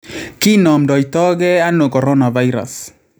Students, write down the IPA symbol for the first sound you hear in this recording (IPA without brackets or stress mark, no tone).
k